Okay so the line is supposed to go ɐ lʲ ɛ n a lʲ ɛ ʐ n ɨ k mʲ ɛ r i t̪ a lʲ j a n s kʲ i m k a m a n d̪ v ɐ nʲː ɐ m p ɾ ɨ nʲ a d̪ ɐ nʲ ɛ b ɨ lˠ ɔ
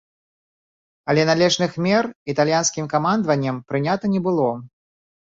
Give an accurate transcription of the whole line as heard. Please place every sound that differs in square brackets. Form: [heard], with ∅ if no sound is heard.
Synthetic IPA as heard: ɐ lʲ ɛ n a lʲ ɛ ʐ n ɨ [x] mʲ ɛ r i t̪ a lʲ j a n s kʲ i m k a m a n d̪ v ɐ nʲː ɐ m p ɾ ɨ nʲ a [t̪] ɐ nʲ ɛ b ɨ lˠ ɔ